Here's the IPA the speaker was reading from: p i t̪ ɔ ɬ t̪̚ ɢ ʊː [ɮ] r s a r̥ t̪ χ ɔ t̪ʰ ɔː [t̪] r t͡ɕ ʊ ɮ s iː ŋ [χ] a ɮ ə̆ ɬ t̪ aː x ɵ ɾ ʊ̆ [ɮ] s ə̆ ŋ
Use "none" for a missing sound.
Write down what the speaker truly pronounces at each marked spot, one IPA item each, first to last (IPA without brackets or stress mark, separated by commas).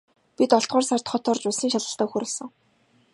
none, none, ʃ, ɮ